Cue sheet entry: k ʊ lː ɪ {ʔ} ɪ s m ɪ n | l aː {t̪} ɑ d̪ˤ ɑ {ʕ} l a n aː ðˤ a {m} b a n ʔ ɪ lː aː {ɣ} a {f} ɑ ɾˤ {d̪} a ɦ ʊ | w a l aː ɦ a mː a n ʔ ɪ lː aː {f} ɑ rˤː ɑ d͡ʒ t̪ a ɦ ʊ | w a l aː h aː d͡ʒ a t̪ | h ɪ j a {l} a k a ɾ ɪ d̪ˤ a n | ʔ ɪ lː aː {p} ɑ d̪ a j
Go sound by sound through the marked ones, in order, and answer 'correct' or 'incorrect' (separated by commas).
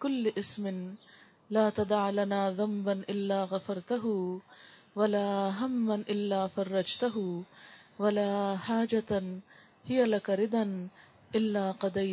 correct, correct, correct, correct, correct, correct, incorrect, correct, correct, incorrect